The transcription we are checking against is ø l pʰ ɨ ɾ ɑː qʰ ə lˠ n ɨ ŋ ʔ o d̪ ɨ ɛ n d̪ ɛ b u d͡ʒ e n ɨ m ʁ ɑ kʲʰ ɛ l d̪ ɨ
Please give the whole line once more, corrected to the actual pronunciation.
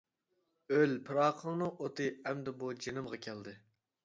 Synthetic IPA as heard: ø l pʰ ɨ ɾ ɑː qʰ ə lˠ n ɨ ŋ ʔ o t̪ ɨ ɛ m d̪ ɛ b u d͡ʒ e n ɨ m ʁ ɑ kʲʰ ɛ l d̪ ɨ